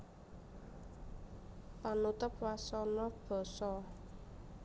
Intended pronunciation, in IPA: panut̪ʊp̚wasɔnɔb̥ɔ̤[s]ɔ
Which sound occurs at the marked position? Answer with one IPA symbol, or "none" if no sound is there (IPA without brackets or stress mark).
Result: s